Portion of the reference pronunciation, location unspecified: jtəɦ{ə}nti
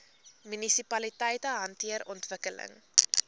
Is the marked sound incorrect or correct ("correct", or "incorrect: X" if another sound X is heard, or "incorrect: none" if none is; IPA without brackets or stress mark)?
incorrect: ɐ